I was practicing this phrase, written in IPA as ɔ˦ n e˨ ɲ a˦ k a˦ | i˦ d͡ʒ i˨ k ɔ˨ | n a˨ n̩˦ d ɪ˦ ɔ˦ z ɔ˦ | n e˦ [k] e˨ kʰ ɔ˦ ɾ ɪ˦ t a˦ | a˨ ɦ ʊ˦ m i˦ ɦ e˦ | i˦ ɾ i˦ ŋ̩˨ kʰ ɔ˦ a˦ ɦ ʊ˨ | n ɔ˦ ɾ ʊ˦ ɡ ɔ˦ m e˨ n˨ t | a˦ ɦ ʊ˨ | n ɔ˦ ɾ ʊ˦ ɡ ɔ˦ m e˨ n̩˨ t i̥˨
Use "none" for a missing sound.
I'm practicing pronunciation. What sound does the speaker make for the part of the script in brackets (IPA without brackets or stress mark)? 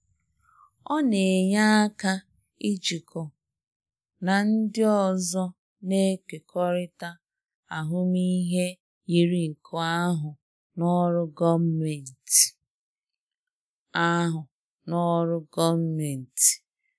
k